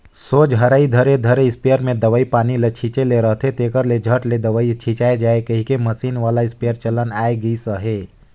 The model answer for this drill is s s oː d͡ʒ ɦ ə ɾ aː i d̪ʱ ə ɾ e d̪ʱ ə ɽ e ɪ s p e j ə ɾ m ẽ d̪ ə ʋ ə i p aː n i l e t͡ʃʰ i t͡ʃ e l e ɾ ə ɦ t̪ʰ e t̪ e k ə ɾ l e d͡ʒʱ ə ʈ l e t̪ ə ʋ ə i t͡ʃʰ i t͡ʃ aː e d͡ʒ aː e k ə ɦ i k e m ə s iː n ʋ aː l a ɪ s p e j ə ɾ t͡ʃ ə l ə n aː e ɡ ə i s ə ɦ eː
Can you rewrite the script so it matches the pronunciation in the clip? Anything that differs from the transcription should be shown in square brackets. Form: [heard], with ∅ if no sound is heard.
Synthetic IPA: s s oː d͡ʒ ɦ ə ɾ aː i d̪ʱ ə ɾ e d̪ʱ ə [ɾ] e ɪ s p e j ə ɾ m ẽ d̪ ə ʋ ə i p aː n i l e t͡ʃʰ i t͡ʃ e l e ɾ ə ɦ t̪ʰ e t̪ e k ə ɾ l e d͡ʒʱ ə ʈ l e [d̪] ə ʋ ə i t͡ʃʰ i t͡ʃ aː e d͡ʒ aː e k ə ɦ i k e m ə s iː n ʋ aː l a ɪ s p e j ə ɾ t͡ʃ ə l ə n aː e ɡ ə i s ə ɦ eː

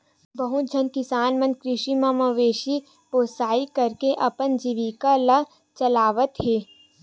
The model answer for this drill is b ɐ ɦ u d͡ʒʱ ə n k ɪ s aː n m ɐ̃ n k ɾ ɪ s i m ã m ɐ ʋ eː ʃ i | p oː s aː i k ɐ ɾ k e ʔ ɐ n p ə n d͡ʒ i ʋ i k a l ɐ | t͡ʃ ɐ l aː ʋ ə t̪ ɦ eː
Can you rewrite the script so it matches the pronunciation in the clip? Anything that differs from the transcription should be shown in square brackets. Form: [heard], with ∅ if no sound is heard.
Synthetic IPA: b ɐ ɦ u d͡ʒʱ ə n k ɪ s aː n m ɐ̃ n k ɾ ɪ [ʃ] i m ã m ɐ ʋ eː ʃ i | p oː s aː i k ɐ ɾ k e ʔ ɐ [∅] p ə n d͡ʒ i ʋ i k a l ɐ | t͡ʃ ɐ l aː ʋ ə t̪ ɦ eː

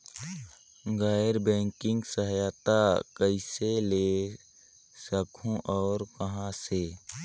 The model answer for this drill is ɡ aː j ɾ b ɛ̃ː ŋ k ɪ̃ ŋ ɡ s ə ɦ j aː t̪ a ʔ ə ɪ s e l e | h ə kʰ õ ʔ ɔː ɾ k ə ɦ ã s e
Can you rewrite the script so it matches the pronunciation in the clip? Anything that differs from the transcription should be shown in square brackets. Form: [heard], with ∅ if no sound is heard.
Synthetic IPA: ɡ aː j ɾ b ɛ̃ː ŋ k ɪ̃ ŋ ɡ s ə ɦ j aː t̪ a [k] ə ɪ s e l e | [s] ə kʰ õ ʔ ɔː ɾ k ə ɦ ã s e

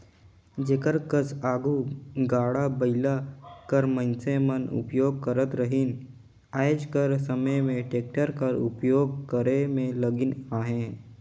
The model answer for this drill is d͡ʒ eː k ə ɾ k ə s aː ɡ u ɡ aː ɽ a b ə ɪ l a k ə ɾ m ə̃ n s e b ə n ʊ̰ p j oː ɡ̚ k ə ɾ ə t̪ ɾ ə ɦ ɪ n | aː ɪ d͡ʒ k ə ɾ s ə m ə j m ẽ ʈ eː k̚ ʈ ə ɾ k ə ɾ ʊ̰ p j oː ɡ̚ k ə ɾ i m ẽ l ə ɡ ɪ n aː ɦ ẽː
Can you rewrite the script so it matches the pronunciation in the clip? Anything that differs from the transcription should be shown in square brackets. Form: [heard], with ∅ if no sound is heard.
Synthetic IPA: d͡ʒ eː k ə ɾ k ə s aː ɡ u ɡ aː ɽ a b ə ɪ l a k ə ɾ m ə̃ n s e [m] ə n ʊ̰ p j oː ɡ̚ k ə ɾ ə t̪ ɾ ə ɦ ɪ n | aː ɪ d͡ʒ k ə ɾ s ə m ə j m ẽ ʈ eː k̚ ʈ ə ɾ k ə ɾ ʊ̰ p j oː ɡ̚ k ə ɾ [e] m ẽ l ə ɡ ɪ n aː ɦ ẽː

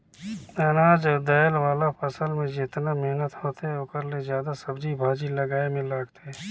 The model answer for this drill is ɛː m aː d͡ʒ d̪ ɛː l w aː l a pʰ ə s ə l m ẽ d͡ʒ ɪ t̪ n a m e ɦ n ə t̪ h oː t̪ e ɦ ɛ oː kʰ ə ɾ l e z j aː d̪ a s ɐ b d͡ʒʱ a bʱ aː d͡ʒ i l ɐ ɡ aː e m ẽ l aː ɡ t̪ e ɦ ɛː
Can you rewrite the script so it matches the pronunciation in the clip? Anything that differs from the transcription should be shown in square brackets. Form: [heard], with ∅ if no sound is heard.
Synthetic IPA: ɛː [n] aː d͡ʒ d̪ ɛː l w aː l a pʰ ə s ə l m ẽ d͡ʒ ɪ t̪ n a m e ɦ n ə t̪ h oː t̪ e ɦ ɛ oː [k] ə ɾ l e z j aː d̪ a s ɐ b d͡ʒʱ [i] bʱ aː d͡ʒ i l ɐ ɡ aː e m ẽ l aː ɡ t̪ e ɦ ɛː

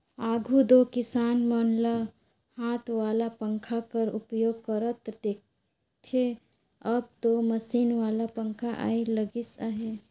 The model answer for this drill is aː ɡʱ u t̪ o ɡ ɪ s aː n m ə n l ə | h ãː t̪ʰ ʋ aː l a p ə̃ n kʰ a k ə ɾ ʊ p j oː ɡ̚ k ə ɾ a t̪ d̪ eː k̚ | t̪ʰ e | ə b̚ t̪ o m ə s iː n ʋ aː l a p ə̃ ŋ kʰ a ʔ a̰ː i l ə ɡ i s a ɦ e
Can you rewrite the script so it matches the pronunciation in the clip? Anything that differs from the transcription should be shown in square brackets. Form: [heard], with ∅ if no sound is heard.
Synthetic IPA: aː ɡʱ u [d̪] o [k] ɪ s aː n m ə n l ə | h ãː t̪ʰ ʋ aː l a p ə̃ [ŋ] kʰ a k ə ɾ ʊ p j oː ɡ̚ k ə ɾ [ə] t̪ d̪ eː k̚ | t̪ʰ e | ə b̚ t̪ o m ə s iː n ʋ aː l a p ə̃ ŋ kʰ a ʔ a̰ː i l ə ɡ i s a ɦ e

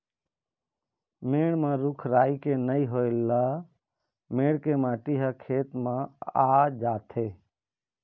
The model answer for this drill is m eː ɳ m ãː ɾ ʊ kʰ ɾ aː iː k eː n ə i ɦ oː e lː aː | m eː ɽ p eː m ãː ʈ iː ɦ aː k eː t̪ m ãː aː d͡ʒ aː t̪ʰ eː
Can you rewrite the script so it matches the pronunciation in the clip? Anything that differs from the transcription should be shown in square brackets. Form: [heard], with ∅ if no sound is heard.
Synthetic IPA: m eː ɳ m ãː ɾ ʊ kʰ ɾ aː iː k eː n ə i ɦ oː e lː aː | m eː ɽ [k] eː m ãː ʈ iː ɦ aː [kʰ] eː t̪ m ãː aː d͡ʒ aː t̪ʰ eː

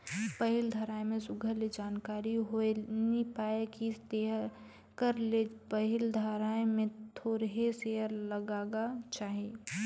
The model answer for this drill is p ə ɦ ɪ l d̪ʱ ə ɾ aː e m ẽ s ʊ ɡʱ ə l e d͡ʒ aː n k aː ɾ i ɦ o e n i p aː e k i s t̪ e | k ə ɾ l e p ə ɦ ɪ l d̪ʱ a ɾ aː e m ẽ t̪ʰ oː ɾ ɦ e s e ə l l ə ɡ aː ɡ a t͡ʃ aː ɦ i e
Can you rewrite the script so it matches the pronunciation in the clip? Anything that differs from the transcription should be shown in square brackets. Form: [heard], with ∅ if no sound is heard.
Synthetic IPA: p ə ɦ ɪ l d̪ʱ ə ɾ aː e m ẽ s ʊ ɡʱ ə l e d͡ʒ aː n k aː ɾ i ɦ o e n i p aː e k i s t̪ e | k ə ɾ l e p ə ɦ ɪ l d̪ʱ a ɾ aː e m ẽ t̪ʰ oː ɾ ɦ e s e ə [ɾ] l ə ɡ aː ɡ a t͡ʃ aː ɦ i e

